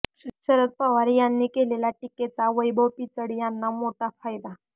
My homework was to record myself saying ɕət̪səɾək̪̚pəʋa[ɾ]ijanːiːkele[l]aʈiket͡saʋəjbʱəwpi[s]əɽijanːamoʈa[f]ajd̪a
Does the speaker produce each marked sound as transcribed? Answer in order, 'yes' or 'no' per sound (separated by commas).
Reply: yes, yes, no, yes